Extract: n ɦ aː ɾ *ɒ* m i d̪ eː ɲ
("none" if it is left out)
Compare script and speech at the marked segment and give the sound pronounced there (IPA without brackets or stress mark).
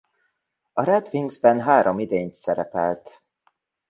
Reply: o